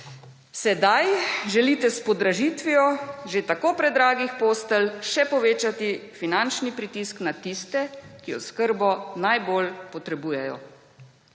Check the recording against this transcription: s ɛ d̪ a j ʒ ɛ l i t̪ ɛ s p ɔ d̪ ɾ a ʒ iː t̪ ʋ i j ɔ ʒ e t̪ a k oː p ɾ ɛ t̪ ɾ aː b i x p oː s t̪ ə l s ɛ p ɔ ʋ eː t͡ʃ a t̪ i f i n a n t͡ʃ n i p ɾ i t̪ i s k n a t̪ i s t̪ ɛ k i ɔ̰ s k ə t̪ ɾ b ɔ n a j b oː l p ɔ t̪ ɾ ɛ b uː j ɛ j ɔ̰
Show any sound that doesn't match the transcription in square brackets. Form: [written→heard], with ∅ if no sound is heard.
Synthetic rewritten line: s ɛ d̪ a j ʒ ɛ l i t̪ ɛ s p ɔ d̪ ɾ a ʒ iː t̪ ʋ i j ɔ ʒ e t̪ a k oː p ɾ ɛ [t̪→d̪] ɾ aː [b→ɡ] i x p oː s t̪ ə l [s→ʃ] ɛ p ɔ ʋ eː t͡ʃ a t̪ i f i n a n t͡ʃ n i p ɾ i t̪ i s k n a t̪ i s t̪ ɛ k i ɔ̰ s k ə [t̪→∅] ɾ b ɔ n a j b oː l p ɔ t̪ ɾ ɛ b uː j ɛ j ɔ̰